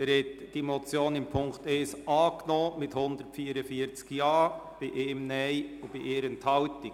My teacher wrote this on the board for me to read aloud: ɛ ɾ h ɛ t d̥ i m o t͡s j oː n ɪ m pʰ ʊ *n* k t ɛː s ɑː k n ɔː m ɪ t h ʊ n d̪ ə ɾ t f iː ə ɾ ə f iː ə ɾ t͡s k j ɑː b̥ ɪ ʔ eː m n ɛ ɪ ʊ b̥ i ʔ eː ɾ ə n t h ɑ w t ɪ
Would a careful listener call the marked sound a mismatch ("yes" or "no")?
yes